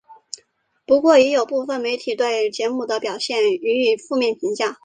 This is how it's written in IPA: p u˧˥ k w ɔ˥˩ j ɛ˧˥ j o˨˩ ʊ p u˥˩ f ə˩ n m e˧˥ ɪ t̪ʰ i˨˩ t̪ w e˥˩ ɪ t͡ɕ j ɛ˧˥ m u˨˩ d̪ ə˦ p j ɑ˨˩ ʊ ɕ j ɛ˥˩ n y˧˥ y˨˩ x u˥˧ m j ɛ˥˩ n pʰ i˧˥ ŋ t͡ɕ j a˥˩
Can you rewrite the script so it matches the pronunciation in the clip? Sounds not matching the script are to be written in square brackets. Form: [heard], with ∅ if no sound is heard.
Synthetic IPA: p u˧˥ k w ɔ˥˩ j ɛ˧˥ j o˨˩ ʊ p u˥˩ f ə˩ n m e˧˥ ɪ t̪ʰ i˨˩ t̪ w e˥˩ ɪ t͡ɕ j ɛ˧˥ m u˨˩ d̪ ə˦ p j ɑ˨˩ ʊ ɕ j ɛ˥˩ n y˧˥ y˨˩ [f] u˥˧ m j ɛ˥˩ n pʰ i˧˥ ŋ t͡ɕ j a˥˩